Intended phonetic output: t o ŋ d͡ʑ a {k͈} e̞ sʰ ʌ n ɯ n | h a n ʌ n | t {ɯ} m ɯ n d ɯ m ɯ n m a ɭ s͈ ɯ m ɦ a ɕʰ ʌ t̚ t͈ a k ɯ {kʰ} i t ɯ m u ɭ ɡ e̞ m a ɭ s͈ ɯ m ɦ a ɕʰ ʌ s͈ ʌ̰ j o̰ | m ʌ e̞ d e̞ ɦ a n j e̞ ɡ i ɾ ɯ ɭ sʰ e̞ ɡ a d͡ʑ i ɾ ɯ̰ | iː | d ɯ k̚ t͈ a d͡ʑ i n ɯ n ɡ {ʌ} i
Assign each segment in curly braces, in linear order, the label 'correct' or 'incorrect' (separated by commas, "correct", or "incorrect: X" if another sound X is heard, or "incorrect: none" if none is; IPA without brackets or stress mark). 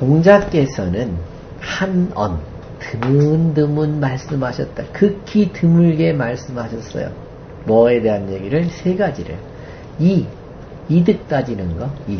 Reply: correct, correct, correct, correct